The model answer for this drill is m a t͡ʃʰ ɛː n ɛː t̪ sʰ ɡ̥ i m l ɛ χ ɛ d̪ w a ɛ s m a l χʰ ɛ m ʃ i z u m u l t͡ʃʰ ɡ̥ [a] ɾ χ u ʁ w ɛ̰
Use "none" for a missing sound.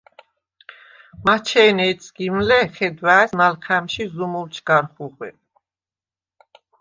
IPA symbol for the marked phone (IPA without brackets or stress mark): a